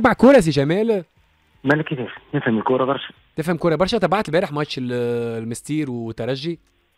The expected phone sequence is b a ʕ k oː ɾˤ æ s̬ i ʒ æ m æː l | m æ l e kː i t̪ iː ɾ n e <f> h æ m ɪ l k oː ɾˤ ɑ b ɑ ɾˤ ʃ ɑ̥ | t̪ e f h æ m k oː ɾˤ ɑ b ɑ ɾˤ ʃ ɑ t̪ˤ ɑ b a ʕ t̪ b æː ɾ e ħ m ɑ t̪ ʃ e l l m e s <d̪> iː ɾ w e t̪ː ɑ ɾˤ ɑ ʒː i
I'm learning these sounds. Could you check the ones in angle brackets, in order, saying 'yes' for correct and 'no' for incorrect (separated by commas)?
yes, no